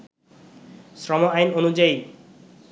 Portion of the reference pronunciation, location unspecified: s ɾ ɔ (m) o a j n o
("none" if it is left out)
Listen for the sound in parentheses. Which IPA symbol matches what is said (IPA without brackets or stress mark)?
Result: m